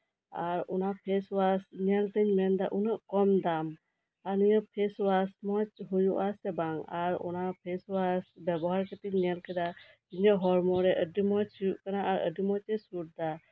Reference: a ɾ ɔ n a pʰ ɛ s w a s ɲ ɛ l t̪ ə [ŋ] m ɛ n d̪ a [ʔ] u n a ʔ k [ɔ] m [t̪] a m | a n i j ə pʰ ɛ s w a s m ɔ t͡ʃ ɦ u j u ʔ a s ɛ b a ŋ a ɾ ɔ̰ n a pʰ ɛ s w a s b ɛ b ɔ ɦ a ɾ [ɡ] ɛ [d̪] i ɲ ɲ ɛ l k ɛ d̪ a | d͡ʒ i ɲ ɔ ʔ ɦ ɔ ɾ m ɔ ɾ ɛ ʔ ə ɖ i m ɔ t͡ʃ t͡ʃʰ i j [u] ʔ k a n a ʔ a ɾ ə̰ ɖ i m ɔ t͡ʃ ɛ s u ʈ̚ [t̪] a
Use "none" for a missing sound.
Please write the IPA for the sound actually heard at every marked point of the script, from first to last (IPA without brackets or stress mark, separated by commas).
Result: ɲ, ʔ, ɔ, d̪, k, t̪, u, d̪